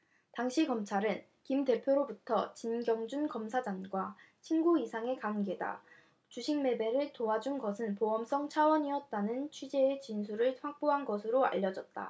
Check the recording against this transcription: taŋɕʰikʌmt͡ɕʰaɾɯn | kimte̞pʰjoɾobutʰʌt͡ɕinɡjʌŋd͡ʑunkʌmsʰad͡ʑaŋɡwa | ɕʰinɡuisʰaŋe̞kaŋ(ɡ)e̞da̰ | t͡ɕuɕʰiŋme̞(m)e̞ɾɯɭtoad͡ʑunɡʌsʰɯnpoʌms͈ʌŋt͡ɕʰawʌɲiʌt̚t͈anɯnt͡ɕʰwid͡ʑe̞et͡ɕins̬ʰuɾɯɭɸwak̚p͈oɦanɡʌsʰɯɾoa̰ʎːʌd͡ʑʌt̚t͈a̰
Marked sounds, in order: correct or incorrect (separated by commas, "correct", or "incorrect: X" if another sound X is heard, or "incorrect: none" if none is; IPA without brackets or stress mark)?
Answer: correct, incorrect: b